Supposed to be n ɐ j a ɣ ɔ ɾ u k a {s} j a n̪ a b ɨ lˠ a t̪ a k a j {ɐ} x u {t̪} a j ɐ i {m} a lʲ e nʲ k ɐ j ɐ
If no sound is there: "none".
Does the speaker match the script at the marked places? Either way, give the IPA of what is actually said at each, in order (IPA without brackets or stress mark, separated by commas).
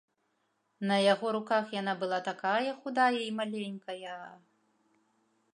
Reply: x, ɐ, d̪, m